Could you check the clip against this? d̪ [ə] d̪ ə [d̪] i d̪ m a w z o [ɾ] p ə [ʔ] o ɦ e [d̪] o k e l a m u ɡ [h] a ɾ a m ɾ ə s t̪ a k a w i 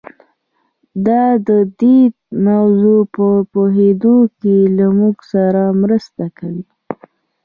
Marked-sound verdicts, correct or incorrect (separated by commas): incorrect, correct, incorrect, incorrect, correct, incorrect